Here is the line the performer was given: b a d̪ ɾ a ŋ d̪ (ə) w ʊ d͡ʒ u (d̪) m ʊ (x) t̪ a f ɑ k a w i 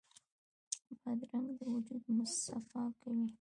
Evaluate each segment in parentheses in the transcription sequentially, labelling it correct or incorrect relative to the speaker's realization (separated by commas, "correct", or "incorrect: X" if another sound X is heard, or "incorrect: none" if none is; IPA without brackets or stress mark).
correct, correct, incorrect: s